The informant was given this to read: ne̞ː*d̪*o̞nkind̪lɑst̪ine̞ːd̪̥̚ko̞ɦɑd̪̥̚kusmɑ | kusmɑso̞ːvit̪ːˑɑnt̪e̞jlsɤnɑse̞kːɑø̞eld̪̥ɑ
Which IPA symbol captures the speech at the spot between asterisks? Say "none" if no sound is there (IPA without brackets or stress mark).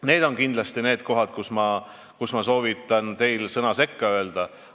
d̪